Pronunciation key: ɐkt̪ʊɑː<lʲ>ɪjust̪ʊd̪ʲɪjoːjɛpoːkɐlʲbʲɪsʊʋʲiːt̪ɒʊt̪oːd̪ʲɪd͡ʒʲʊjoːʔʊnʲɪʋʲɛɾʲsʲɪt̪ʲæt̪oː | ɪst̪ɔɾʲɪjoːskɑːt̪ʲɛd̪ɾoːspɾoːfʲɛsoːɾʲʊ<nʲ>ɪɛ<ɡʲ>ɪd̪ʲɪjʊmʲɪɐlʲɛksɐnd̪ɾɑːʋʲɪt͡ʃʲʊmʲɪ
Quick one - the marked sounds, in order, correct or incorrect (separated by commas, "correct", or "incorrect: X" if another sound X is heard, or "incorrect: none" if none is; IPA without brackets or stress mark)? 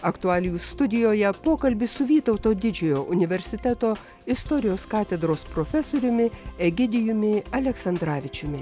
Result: correct, incorrect: mʲ, correct